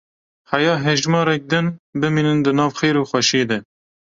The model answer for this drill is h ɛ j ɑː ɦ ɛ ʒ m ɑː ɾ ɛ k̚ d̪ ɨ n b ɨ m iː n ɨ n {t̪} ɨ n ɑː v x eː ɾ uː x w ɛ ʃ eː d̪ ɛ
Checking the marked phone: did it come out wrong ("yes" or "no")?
yes